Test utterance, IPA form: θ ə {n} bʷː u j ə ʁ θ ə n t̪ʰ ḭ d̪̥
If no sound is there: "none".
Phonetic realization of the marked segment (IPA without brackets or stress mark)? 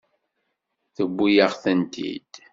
none